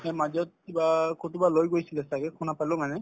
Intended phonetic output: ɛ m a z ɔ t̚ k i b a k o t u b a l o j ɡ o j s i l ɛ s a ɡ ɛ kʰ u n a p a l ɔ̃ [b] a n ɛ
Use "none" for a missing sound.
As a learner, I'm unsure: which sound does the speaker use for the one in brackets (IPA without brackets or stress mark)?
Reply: m